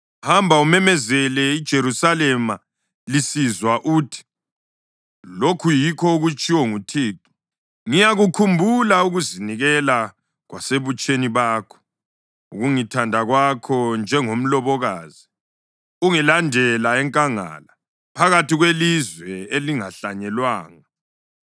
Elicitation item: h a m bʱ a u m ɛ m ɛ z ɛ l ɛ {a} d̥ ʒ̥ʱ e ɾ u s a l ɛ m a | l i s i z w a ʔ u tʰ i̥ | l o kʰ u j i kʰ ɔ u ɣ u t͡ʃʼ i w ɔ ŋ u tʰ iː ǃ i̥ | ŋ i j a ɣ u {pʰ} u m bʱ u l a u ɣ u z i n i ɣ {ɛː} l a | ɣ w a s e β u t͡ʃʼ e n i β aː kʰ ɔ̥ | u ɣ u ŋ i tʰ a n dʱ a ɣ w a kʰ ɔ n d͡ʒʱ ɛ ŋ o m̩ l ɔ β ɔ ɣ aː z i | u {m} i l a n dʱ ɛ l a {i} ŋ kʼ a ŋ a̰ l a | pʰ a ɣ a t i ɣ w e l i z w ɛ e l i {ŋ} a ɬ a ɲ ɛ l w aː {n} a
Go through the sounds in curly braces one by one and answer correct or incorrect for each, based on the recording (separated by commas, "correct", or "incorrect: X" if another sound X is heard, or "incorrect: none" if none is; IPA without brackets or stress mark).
incorrect: i, incorrect: kʰ, incorrect: ɛ, incorrect: ŋ, incorrect: ɛ, correct, incorrect: ŋ